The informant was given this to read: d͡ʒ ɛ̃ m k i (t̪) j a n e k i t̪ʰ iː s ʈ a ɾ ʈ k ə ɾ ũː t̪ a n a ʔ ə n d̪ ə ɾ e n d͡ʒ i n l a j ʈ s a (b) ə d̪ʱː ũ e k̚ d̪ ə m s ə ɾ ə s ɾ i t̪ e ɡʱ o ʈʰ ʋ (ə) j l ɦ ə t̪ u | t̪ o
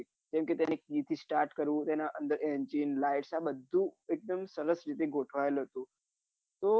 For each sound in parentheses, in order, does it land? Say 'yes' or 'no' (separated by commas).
yes, yes, no